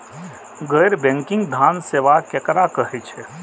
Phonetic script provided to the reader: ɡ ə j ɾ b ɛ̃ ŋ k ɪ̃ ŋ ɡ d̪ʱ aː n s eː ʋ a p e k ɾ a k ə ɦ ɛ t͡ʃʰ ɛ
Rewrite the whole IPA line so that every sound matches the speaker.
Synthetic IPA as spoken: ɡ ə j ɾ b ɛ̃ ŋ k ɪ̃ ŋ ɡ d̪ʱ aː n s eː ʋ a k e k ɾ a k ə ɦ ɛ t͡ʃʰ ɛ

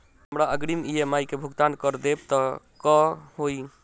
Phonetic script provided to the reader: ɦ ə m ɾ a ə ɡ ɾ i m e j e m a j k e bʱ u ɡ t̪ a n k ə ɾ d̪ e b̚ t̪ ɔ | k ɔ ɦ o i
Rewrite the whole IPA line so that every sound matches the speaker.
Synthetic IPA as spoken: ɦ ə m ɾ a ə ɡ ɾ i m i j e m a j k e bʱ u ɡ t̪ a n k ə ɾ d̪ e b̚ t̪ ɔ | k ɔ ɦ o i

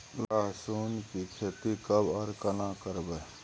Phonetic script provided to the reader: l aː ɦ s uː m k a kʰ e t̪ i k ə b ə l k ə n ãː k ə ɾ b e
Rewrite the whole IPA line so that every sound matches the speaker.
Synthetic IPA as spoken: l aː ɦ s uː n k i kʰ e t̪ i k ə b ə ɾ k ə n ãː k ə ɾ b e

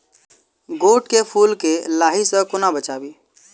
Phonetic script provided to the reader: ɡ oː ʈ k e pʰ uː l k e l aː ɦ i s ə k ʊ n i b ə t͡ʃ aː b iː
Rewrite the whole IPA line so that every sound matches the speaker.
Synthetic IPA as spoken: ɡ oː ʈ k e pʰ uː l k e l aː ɦ i s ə k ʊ n a b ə t͡ʃ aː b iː

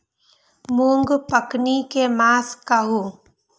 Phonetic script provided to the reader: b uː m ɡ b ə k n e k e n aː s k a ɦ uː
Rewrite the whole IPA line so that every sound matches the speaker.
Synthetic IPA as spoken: m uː ŋ ɡ p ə k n i k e m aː s k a ɦ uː

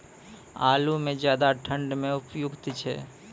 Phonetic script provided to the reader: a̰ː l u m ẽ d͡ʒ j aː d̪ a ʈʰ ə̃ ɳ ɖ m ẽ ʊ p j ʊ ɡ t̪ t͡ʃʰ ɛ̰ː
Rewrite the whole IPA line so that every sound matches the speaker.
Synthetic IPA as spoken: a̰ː l u m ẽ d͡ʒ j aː d̪ a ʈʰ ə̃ ɳ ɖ m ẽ ʊ p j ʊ ɡ t̪ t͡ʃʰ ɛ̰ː

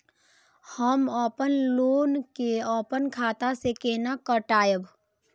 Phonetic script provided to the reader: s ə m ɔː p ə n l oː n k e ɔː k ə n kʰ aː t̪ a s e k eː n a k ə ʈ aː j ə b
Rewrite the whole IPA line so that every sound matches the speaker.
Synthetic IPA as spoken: h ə m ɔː p ə n l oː n k e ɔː p ə n kʰ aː t̪ a s e k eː n a k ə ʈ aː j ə b

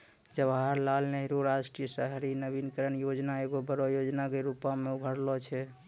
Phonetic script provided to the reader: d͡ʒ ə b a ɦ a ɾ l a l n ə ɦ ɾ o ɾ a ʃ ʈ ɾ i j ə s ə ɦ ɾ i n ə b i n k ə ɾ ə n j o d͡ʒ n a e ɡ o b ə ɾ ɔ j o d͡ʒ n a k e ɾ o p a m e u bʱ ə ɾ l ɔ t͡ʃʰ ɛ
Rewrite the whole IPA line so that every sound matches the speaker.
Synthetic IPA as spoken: d͡ʒ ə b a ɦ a ɾ l a l n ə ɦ ɾ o ɾ a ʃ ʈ ɾ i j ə s ə ɦ ɾ i n ə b i n k ə ɾ ə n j o d͡ʒ n a e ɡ o b ə ɾ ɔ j o d͡ʒ n a k e ɾ u p a m e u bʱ ə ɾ l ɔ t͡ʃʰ ɛ

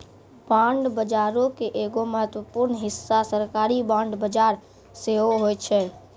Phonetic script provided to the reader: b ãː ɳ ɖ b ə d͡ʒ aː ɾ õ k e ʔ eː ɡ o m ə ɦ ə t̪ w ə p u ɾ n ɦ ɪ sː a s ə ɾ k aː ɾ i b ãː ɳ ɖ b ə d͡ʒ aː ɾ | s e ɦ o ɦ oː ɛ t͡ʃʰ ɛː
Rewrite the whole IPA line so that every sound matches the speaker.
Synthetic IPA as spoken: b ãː ɳ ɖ b ə d͡ʒ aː ɾ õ k e ʔ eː ɡ o m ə ɦ ə t̪ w ə p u ɾ n ɦ ɪ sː a s ə ɾ k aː ɾ i b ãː ɳ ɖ b ə d͡ʒ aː ɾ | s e ɦ o ɦ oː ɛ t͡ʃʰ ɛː

